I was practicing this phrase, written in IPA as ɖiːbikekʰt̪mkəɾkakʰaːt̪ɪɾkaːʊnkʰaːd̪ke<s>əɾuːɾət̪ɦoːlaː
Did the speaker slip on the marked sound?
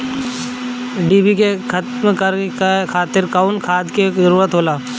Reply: yes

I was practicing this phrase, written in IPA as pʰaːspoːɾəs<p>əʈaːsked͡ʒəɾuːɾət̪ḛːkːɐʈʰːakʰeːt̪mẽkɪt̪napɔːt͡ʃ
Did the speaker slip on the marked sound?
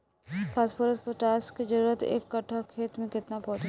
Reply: no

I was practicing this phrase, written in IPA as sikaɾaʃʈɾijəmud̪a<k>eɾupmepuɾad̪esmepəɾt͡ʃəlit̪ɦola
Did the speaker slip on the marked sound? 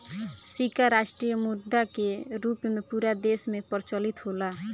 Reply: no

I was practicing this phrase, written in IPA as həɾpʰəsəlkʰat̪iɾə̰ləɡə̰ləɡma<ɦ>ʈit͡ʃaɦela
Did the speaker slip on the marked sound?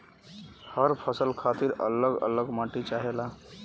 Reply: yes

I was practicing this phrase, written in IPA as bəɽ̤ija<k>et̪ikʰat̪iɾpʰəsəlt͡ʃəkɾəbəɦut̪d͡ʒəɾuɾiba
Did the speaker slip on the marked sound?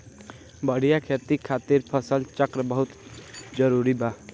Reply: yes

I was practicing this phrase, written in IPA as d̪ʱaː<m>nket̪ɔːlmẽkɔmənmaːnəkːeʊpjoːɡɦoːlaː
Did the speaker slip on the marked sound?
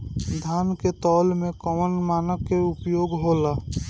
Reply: yes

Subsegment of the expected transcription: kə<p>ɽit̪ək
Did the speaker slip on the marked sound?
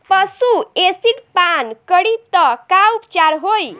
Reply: yes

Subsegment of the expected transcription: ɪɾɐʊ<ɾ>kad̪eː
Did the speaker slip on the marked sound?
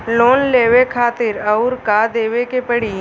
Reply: no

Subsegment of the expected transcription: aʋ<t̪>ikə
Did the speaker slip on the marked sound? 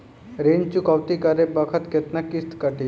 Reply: no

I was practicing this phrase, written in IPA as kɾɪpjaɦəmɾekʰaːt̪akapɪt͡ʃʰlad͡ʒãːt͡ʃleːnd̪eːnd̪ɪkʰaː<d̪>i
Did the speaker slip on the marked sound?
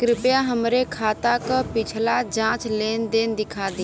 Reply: no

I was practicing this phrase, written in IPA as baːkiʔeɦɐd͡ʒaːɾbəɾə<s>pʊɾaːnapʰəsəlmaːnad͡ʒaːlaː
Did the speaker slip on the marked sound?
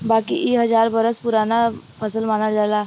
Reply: no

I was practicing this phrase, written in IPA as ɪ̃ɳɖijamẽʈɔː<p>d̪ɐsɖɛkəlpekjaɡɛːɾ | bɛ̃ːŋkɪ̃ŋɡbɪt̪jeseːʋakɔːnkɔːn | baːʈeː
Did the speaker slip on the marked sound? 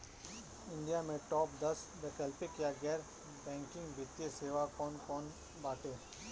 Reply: no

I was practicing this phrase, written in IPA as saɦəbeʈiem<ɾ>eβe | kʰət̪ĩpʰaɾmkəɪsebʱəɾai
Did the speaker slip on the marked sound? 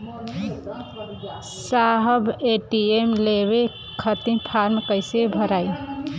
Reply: yes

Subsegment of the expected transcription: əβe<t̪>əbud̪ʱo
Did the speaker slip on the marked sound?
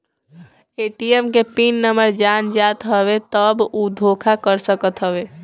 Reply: no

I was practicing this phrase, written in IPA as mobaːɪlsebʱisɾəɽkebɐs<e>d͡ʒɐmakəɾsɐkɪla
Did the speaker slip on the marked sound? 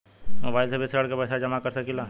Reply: yes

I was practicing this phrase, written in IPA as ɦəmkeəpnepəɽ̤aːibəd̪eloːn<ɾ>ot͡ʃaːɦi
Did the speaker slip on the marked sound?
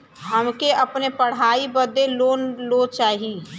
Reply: yes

